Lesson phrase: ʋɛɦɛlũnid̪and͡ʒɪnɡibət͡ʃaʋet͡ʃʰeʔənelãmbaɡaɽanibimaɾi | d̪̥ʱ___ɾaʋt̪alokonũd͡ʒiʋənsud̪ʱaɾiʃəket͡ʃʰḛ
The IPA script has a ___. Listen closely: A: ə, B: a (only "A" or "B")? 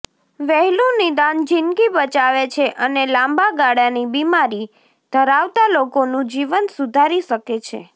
A